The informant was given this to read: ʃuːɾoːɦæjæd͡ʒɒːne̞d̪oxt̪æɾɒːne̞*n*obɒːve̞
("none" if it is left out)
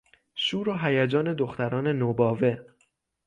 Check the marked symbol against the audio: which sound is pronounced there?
n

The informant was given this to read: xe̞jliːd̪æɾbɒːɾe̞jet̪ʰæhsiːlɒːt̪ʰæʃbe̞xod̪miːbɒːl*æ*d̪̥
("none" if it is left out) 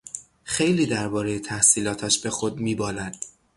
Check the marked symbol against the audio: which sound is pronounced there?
æ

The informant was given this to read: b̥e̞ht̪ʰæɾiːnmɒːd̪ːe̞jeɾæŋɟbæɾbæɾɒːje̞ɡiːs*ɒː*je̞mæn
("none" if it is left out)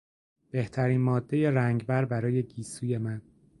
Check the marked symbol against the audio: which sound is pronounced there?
uː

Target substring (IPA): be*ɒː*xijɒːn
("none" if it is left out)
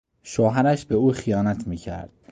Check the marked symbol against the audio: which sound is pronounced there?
uː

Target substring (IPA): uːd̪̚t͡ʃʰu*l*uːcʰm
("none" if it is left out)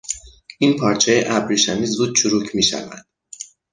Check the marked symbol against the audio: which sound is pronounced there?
ɾ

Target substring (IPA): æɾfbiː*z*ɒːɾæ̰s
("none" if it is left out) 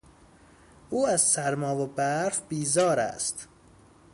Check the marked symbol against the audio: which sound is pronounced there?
z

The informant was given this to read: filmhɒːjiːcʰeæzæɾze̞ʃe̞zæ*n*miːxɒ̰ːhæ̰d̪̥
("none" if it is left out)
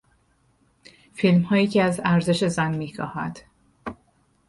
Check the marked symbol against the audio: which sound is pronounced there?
n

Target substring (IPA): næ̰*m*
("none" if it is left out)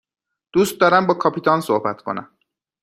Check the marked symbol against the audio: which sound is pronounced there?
m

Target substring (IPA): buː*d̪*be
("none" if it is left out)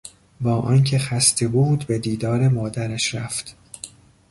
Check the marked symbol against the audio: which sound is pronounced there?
d̪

